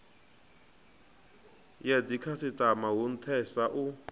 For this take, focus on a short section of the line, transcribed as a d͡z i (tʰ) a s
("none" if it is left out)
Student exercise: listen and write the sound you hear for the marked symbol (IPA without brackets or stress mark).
kʰ